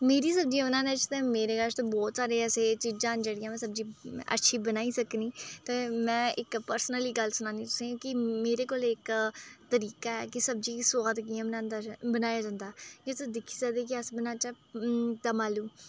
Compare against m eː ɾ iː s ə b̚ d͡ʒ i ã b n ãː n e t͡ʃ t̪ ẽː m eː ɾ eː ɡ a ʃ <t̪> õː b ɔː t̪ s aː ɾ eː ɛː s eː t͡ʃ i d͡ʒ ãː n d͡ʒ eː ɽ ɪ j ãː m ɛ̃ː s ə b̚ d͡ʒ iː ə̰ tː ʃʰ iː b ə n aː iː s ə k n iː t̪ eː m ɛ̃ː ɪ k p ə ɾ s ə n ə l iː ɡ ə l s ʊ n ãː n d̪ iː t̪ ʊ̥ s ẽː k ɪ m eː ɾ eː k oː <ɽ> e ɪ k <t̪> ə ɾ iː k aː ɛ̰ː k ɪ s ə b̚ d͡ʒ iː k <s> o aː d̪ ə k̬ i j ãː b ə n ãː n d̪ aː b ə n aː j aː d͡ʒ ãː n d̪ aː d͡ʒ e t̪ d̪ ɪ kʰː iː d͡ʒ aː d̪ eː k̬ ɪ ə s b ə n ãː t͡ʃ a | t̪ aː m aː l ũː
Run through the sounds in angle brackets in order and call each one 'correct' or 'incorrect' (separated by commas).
correct, incorrect, correct, correct